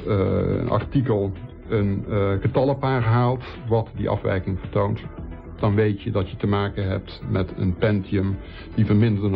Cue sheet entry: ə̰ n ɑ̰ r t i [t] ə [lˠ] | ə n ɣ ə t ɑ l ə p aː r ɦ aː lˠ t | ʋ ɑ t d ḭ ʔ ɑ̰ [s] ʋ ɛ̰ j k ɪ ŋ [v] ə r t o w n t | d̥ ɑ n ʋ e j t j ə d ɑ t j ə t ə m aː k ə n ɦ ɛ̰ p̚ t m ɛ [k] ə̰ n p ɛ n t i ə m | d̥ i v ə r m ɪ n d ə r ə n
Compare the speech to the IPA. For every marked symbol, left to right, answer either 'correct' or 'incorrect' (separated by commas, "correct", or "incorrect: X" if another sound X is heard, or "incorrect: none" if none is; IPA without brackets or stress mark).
incorrect: k, correct, incorrect: f, correct, incorrect: t